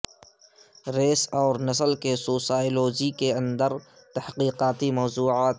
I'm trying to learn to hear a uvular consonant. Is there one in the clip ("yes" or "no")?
yes